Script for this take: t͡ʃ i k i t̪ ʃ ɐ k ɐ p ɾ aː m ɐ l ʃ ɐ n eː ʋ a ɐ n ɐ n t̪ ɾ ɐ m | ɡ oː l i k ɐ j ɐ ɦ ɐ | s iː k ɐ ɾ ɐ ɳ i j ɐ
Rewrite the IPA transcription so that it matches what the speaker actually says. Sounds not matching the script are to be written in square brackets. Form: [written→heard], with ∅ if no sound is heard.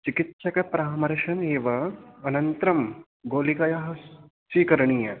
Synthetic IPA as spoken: t͡ʃ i k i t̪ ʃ ɐ k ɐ p ɾ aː m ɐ [l→ɾ] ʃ ɐ n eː ʋ [a→ɐ] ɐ n ɐ n t̪ ɾ ɐ m | ɡ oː l i k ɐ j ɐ ɦ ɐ | s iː k ɐ ɾ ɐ ɳ i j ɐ